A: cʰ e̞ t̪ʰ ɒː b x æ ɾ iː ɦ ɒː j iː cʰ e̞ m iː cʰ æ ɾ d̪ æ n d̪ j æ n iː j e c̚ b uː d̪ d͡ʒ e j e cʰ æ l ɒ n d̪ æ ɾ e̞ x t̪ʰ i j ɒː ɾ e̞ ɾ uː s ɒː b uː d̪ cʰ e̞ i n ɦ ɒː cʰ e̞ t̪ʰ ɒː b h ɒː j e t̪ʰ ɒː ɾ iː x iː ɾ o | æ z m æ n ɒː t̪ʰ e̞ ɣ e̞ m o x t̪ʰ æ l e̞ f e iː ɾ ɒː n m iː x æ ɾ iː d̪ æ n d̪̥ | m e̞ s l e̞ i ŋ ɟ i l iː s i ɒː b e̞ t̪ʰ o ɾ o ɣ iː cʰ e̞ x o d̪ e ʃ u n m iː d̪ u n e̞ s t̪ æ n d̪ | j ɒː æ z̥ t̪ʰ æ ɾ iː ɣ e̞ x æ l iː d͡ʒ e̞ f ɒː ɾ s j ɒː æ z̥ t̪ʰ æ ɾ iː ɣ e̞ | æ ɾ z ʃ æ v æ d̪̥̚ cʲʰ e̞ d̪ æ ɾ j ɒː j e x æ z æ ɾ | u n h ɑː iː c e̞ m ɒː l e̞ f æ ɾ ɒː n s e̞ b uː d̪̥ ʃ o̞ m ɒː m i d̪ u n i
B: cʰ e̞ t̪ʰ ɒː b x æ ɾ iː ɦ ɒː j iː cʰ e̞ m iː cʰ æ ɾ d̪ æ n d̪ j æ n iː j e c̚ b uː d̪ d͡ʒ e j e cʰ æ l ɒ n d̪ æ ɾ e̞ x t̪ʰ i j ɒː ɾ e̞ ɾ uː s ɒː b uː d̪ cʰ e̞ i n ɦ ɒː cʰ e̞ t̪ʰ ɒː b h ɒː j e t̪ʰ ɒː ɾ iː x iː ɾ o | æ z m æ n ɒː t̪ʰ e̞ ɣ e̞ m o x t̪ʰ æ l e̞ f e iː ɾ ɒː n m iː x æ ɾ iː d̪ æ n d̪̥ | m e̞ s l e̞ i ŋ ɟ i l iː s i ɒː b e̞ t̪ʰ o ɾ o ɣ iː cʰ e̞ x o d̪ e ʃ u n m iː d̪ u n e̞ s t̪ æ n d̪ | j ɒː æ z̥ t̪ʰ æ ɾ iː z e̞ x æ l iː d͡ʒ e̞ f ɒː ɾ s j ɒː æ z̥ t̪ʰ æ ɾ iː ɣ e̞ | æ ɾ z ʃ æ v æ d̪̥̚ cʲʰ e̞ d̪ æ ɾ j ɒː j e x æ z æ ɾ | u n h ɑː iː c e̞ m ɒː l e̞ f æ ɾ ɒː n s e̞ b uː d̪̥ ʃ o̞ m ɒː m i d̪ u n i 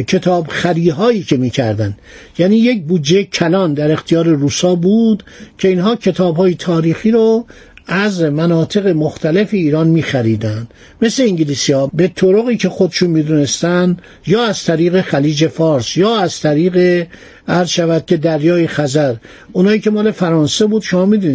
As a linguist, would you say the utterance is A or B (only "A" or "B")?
A